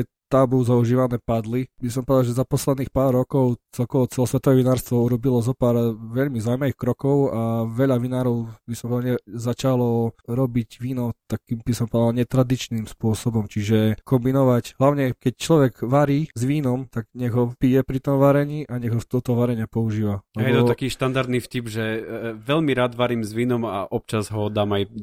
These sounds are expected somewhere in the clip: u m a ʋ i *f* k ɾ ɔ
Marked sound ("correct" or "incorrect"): incorrect